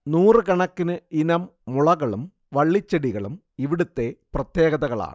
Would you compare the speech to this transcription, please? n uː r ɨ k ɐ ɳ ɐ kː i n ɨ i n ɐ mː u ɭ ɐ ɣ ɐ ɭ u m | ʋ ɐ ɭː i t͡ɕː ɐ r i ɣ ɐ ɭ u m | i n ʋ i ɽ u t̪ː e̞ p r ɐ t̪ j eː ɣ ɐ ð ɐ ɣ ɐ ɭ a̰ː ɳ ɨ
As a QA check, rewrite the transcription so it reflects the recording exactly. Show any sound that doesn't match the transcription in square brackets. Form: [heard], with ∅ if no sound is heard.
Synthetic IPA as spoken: n uː r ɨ k ɐ ɳ ɐ kː i n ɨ i n ɐ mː u ɭ ɐ ɣ ɐ ɭ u m | ʋ ɐ ɭː i t͡ɕː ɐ [ɽ] i ɣ ɐ ɭ u m | i [∅] ʋ i ɽ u t̪ː e̞ p r ɐ t̪ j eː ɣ ɐ ð ɐ ɣ ɐ ɭ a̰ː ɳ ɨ